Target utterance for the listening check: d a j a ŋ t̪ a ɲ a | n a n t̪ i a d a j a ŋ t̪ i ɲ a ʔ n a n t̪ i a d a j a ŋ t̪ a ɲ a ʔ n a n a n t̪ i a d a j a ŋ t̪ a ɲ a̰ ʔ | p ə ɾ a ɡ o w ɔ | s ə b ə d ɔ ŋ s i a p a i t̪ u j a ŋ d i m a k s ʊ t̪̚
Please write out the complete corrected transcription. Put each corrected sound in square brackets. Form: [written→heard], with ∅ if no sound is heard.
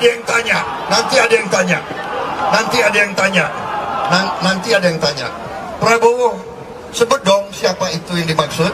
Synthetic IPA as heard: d a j a ŋ t̪ a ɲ a | n a n t̪ i a d a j a ŋ t̪ [i→a] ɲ a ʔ n a n t̪ i a d a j a ŋ t̪ a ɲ a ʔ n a n a n t̪ i a d a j a ŋ t̪ a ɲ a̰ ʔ | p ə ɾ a [ɡ→b] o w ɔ | s ə b ə d ɔ ŋ s i a p a i t̪ u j a ŋ d i m a k s ʊ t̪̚